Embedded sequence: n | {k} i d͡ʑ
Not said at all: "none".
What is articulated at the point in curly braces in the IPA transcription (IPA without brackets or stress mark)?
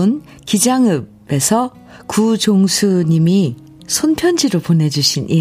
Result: k